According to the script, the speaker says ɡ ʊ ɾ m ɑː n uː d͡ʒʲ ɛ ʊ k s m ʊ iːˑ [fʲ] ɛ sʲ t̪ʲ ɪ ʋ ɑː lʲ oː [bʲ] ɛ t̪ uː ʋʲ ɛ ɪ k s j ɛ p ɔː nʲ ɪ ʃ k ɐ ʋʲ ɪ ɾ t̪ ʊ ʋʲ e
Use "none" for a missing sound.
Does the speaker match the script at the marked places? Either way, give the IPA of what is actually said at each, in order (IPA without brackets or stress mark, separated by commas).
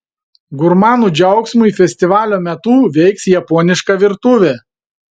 fʲ, mʲ